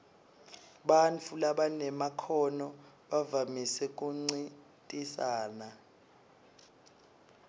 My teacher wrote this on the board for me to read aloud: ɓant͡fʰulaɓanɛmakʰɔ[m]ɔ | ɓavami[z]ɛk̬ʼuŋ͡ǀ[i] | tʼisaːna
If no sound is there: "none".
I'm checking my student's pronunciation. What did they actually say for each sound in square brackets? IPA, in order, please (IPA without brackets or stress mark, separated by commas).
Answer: n, s, i